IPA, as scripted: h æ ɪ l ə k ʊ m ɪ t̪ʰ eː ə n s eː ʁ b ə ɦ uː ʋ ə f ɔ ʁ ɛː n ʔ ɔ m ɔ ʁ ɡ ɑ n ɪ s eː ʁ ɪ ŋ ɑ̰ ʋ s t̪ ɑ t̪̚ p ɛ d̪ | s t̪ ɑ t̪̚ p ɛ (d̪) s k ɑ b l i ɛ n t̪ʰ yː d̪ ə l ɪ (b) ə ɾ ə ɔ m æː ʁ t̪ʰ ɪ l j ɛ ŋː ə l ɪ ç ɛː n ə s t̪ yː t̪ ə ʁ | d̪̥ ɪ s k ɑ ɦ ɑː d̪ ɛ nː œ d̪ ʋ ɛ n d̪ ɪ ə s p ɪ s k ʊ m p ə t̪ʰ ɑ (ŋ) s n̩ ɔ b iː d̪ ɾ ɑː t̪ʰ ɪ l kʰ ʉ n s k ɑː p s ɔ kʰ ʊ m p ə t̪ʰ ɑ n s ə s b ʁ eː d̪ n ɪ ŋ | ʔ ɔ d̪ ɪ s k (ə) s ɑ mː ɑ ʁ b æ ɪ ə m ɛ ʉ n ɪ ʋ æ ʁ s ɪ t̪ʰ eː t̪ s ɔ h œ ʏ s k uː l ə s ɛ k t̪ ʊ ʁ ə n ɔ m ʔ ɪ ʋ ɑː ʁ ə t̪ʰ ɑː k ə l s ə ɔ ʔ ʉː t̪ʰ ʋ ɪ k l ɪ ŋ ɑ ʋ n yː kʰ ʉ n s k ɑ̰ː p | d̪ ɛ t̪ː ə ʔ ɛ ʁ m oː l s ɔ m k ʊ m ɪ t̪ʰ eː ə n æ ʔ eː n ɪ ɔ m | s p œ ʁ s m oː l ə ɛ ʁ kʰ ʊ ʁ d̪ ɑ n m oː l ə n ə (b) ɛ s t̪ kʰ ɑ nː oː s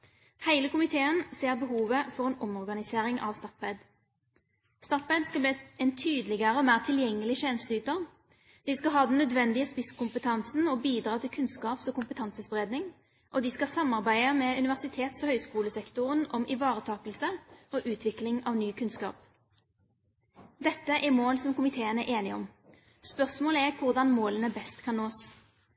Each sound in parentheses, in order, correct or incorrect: correct, incorrect, incorrect, incorrect, correct

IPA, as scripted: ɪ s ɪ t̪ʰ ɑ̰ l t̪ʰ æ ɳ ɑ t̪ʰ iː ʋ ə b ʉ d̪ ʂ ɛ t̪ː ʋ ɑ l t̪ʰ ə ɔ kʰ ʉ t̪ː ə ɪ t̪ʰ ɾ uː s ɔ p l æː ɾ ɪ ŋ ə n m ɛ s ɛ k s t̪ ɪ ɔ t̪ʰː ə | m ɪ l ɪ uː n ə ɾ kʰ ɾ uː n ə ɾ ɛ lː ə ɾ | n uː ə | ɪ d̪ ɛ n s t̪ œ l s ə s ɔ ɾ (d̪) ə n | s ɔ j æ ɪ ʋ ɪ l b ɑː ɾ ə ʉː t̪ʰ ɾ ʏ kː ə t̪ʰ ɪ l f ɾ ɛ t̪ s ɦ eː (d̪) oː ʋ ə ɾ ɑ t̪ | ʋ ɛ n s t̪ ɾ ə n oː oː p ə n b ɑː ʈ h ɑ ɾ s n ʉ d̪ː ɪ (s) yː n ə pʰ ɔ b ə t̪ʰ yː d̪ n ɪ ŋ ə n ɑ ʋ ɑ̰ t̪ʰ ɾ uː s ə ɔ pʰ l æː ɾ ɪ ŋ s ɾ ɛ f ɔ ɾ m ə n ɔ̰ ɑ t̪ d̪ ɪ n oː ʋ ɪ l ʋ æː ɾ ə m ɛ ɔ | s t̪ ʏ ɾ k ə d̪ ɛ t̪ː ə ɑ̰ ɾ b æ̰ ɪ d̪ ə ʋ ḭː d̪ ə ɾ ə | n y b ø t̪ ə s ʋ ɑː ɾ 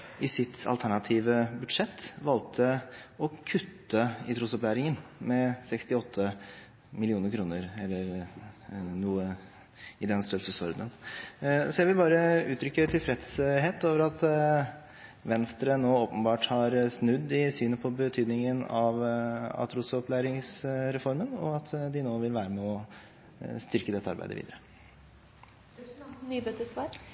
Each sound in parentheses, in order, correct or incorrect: correct, incorrect, correct

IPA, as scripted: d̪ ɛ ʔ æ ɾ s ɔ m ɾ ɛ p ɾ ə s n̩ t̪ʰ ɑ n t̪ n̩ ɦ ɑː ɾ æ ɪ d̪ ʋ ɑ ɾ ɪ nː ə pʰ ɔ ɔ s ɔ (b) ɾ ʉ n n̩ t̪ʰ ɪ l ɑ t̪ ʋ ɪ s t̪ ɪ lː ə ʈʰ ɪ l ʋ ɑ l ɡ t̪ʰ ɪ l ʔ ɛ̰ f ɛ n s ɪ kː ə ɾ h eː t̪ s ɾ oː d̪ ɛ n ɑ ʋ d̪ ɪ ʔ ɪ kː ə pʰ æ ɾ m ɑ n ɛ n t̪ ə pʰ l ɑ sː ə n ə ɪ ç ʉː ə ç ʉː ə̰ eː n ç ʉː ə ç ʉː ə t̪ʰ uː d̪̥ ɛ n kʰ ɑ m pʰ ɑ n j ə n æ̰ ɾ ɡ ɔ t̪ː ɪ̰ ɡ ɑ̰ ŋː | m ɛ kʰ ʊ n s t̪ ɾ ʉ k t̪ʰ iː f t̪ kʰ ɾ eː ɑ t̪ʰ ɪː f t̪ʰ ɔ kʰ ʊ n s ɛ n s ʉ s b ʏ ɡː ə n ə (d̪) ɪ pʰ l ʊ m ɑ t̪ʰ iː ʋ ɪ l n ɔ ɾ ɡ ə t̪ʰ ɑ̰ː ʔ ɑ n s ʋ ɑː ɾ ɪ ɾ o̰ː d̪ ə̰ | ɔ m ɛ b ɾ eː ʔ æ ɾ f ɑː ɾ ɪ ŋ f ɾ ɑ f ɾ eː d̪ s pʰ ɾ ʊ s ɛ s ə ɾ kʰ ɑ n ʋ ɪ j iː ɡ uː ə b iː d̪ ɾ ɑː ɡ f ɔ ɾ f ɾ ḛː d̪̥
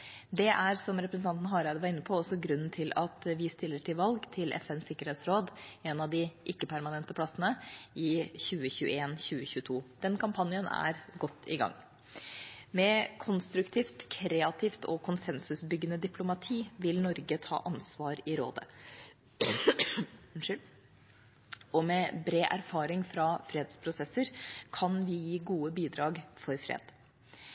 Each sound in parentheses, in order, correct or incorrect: incorrect, correct

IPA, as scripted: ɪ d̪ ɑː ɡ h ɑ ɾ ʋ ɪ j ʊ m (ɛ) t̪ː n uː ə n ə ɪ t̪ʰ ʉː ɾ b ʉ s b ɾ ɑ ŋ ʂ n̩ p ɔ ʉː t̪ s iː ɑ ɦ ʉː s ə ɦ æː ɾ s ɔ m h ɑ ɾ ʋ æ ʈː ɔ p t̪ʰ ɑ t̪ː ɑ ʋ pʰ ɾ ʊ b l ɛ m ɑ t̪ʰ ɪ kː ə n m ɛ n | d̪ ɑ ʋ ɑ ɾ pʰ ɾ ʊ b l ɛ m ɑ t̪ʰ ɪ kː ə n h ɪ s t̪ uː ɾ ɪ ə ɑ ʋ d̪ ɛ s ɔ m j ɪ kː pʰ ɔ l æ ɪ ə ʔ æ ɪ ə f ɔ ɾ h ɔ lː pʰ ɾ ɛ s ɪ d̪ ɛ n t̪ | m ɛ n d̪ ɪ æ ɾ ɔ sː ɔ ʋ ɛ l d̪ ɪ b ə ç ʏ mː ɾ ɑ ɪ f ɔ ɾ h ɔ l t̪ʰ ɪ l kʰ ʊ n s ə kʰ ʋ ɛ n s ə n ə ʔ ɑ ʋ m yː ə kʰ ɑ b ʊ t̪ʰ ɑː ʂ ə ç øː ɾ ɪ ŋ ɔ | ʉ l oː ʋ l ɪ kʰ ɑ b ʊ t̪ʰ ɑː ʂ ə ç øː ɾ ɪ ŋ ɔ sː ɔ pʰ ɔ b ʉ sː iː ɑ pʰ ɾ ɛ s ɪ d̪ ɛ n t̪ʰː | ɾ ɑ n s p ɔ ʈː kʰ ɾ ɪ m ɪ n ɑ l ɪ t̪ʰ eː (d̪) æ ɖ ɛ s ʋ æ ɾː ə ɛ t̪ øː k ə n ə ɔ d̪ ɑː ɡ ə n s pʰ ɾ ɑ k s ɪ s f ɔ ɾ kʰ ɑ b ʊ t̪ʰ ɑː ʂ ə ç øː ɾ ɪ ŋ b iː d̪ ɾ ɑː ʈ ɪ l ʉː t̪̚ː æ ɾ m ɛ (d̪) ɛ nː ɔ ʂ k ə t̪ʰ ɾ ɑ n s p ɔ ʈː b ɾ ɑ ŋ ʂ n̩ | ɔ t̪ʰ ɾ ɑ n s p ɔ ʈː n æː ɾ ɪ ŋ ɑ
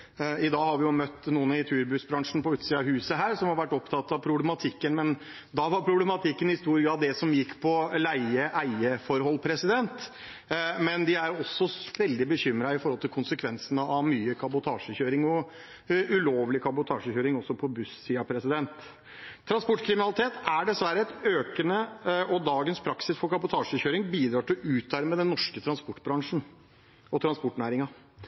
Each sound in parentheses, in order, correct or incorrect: incorrect, incorrect, correct

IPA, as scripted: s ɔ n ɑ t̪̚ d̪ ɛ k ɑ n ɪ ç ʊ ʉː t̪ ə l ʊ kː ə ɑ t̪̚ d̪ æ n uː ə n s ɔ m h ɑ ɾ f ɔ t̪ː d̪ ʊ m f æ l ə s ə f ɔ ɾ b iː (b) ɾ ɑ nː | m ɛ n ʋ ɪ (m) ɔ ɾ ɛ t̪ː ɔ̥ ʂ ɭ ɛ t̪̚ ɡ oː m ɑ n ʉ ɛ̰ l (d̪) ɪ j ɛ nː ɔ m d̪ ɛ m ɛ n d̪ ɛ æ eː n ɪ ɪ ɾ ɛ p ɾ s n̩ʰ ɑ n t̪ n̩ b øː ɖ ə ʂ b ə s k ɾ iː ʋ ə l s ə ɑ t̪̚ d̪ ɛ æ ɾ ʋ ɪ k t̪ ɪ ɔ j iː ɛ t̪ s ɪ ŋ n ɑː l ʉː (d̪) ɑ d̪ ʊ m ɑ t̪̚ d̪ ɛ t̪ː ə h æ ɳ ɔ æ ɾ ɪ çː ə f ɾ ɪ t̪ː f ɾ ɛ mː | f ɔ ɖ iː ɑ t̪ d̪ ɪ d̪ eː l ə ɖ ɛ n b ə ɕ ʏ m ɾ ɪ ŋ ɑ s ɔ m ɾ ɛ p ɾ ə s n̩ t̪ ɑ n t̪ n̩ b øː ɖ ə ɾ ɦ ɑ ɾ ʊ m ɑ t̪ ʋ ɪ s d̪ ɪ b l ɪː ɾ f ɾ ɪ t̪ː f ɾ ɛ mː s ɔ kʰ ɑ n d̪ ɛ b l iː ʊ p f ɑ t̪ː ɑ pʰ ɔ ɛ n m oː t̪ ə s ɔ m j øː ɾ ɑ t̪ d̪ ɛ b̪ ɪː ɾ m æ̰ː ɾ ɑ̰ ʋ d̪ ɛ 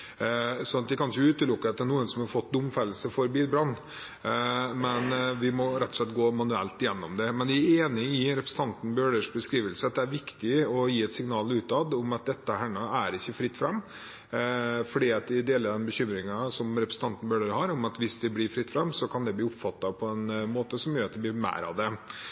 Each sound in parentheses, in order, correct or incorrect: correct, correct, incorrect, incorrect

